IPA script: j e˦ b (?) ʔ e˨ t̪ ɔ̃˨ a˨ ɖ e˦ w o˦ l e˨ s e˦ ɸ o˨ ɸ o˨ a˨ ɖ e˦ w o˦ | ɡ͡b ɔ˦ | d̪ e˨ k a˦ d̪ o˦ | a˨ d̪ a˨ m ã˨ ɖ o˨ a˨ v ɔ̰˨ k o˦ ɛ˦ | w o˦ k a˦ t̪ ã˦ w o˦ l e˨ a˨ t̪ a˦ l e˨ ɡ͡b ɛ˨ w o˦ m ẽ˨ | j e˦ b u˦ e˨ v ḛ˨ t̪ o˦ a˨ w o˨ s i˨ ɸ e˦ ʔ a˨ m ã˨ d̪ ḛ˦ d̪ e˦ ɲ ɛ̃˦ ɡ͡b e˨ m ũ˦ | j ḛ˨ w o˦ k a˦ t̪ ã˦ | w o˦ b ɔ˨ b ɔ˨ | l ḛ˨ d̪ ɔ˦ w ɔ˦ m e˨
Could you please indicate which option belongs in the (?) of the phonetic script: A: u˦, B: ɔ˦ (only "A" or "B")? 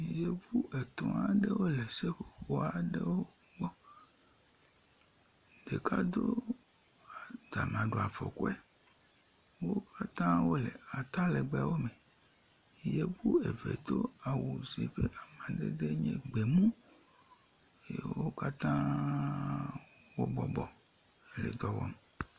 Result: A